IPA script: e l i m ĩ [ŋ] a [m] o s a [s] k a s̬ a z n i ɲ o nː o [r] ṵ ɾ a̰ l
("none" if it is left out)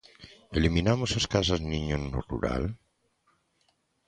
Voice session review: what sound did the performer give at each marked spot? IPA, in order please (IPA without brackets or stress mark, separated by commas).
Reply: n, m, s, r